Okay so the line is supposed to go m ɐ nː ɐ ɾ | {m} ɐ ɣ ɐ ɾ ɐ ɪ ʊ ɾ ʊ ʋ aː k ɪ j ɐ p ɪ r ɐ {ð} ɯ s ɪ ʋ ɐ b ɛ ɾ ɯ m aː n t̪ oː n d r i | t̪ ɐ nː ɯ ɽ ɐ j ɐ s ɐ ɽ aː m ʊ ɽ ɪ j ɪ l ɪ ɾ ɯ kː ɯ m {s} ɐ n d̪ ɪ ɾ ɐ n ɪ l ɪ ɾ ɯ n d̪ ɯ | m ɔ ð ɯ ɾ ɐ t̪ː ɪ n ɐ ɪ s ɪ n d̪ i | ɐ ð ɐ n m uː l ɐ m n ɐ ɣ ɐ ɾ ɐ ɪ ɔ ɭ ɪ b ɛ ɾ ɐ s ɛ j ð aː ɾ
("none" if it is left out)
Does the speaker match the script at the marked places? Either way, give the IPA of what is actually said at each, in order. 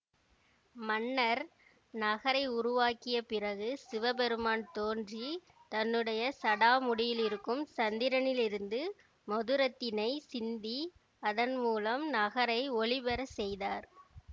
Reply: n, ɣ, s

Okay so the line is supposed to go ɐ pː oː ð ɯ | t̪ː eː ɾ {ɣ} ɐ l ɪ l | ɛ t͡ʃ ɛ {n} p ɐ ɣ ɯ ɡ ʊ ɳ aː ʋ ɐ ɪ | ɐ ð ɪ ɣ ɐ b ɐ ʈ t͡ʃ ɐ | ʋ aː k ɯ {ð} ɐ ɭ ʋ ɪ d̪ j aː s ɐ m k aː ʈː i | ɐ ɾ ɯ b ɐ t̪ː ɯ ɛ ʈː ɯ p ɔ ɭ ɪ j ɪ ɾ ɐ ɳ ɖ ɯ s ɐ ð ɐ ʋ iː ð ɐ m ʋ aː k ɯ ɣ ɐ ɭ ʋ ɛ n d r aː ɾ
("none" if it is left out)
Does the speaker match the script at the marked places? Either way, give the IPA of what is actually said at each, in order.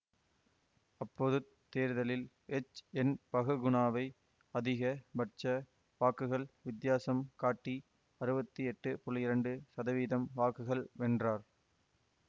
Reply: ð, n, ɣ

